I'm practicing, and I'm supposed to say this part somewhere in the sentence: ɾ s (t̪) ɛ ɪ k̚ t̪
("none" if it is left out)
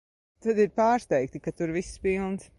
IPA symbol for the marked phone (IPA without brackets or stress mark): t̪